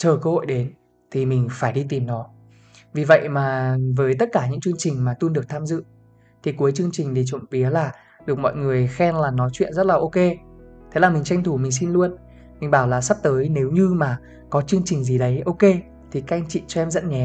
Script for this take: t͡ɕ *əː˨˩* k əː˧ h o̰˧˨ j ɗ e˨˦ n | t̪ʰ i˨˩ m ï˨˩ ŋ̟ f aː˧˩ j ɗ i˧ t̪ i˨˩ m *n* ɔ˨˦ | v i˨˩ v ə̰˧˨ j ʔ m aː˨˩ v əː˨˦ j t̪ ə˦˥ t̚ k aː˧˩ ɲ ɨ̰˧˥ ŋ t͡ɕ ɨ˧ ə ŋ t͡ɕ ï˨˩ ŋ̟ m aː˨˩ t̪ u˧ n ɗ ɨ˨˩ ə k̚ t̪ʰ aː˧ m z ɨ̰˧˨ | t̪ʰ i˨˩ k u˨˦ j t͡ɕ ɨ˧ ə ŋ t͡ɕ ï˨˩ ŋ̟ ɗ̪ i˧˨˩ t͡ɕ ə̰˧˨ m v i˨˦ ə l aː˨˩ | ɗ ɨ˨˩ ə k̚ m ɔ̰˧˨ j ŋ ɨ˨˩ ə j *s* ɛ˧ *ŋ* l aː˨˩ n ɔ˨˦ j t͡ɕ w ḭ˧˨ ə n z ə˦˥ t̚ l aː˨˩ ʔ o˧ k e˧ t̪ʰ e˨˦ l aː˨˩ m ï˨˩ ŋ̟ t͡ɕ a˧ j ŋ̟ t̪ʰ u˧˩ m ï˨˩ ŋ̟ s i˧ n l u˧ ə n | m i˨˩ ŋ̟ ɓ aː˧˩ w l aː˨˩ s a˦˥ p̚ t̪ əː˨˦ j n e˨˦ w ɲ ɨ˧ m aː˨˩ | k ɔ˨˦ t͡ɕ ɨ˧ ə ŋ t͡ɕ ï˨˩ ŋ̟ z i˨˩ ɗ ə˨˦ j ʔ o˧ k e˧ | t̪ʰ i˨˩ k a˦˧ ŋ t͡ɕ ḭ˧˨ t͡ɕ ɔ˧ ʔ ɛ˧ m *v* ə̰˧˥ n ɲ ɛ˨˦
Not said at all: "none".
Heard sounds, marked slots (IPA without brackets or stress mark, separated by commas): əː˨˩, n, x, n, z